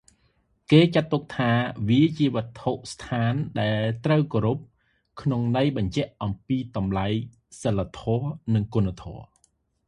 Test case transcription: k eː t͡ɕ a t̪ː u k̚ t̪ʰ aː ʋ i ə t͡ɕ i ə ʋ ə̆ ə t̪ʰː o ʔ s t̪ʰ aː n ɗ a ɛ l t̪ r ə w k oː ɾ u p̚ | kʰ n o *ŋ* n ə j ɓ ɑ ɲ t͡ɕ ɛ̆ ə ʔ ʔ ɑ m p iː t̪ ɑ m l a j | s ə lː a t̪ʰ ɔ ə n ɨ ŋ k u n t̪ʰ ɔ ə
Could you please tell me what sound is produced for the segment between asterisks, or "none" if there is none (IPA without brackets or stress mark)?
ŋ